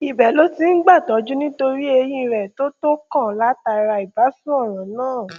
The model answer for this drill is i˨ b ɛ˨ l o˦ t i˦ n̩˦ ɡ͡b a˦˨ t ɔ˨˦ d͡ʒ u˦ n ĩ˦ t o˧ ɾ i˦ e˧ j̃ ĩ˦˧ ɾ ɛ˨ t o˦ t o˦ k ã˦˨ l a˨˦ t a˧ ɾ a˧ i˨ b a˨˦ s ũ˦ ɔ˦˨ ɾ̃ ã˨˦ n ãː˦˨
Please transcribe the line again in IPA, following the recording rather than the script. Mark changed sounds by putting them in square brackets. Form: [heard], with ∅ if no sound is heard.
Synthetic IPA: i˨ b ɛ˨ l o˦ t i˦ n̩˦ ɡ͡b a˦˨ t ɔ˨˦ d͡ʒ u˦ n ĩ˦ t o˧ ɾ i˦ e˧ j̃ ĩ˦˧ ɾ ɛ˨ t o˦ t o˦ k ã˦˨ l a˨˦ t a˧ ɾ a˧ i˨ b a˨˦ s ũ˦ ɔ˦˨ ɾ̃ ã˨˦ n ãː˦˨